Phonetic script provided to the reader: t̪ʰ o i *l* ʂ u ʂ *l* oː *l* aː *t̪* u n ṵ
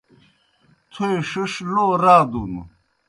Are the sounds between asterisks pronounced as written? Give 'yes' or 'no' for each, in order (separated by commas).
no, yes, no, no